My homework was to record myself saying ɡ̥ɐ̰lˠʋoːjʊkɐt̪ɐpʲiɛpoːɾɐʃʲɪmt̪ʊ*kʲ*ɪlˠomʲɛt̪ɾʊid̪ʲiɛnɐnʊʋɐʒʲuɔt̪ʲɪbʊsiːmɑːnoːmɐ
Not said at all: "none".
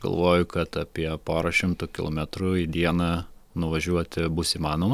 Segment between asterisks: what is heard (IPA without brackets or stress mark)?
kʲ